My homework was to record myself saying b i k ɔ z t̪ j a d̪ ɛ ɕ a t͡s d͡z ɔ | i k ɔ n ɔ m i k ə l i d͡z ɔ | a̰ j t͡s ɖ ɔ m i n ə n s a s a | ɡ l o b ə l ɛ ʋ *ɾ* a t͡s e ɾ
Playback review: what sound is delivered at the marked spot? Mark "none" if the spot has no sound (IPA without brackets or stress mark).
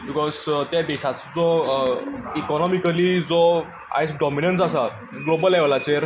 l